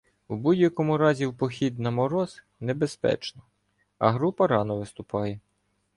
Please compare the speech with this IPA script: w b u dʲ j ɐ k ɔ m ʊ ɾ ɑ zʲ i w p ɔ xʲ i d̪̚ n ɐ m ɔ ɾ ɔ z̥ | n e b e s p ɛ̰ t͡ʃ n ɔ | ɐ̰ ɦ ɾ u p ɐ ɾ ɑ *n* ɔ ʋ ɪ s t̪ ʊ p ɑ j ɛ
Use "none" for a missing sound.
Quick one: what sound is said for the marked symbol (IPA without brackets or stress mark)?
n